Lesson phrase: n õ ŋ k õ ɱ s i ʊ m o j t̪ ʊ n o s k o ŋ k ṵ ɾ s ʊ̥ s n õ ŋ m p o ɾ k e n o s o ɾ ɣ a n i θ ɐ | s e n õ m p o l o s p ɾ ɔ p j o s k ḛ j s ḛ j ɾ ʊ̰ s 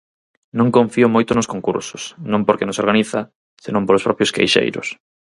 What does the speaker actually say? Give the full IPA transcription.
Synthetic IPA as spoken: n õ ŋ k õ ɱ f i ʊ m o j t̪ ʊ n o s k o ŋ k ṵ ɾ s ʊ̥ s n õ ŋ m p o ɾ k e n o s o ɾ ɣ a n i θ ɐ | s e n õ m p o l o s p ɾ ɔ p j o s k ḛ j ʃ ḛ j ɾ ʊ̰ s